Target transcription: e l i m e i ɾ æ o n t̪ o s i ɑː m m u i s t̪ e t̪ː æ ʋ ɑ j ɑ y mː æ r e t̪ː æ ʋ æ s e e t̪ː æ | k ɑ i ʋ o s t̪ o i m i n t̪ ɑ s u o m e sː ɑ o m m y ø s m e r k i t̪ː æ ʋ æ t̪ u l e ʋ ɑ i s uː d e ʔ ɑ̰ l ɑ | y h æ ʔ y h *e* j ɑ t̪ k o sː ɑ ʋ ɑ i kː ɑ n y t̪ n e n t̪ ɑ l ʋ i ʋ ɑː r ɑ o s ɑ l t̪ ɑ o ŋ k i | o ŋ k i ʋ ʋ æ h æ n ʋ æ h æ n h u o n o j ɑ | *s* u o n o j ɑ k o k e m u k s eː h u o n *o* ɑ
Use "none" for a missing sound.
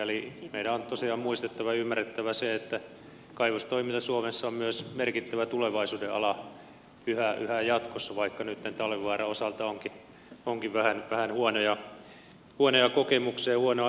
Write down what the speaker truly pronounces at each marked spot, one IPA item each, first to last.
æ, h, o

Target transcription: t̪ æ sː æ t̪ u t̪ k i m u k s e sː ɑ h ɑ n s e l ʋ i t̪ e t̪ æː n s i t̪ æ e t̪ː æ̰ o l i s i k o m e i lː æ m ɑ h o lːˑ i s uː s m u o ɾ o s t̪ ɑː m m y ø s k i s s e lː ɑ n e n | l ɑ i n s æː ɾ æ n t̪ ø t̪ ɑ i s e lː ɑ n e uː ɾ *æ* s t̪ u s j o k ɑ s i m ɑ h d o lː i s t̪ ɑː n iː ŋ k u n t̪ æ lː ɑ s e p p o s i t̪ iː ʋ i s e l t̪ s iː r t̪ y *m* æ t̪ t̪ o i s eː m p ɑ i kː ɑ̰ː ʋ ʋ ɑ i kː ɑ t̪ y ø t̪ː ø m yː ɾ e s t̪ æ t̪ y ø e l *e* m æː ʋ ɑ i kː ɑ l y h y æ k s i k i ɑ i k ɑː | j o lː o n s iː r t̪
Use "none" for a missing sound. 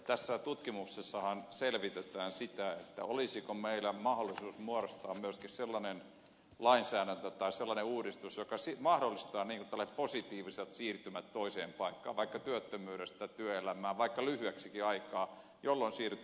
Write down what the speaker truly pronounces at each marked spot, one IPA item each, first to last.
i, m, æ

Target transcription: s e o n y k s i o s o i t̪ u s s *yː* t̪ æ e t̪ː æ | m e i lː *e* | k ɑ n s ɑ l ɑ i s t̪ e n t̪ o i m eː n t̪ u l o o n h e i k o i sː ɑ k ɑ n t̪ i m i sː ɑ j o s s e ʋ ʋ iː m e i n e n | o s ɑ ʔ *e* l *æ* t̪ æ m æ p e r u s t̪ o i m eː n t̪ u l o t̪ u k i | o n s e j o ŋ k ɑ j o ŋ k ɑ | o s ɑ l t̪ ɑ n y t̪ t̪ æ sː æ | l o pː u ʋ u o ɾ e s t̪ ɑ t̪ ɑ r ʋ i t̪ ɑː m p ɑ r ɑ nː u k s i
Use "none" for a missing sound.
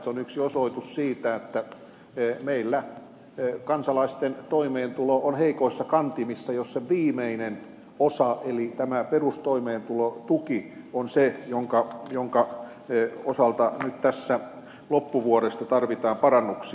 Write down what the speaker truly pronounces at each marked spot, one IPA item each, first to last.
iː, æ, e, i

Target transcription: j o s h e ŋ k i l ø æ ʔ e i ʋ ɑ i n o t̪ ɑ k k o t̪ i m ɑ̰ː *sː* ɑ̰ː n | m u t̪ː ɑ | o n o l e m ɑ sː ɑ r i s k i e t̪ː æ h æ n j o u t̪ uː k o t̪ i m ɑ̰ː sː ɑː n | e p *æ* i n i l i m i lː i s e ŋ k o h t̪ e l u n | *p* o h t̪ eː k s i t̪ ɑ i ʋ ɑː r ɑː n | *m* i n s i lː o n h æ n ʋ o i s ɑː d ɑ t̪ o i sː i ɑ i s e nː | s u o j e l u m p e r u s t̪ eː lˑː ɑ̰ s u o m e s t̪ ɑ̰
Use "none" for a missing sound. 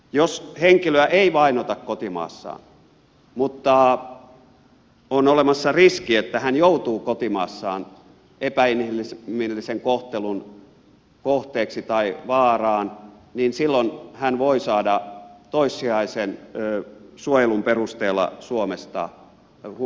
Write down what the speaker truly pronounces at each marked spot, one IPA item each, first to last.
sː, æ, k, n

